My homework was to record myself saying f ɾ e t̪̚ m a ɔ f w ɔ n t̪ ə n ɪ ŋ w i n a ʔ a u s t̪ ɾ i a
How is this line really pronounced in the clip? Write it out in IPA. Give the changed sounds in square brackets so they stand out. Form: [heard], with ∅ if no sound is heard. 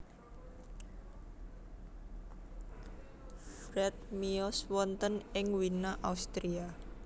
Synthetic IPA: f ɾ [ɛ] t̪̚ m [i] ɔ [s] w ɔ n t̪ ə n ɪ ŋ w i n a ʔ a u s t̪ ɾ i a